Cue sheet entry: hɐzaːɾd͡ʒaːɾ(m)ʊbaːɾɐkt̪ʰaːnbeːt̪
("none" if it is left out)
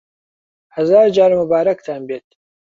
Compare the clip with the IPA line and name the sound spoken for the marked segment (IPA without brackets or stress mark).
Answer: m